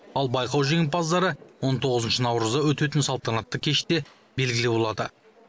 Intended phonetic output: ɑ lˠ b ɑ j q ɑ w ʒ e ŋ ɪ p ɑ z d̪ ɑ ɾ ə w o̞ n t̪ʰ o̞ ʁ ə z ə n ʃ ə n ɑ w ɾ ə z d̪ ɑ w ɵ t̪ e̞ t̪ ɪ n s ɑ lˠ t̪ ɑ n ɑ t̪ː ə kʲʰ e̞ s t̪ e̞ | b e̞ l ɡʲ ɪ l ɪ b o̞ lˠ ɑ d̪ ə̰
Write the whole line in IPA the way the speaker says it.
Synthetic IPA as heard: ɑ lˠ b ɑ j q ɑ w ʒ e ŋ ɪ p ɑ z d̪ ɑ ɾ ə w o̞ n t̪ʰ o̞ ʁ ə z ə n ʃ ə n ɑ w ɾ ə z d̪ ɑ w ɵ t̪ e̞ t̪ ɪ n s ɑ lˠ t̪ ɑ n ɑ t̪ː ə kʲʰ e̞ ʃ t̪ e̞ | b e̞ l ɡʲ ɪ l ɪ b o̞ lˠ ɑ d̪ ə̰